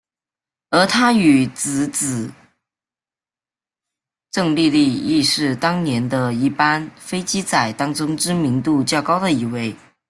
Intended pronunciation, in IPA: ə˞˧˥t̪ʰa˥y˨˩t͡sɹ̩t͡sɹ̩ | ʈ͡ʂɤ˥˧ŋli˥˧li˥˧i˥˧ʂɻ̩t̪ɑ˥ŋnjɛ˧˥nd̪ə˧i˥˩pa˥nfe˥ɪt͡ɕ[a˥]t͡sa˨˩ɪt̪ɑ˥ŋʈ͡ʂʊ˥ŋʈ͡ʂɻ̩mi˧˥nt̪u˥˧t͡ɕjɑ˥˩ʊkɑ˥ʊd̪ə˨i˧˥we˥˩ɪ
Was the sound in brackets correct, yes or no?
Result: no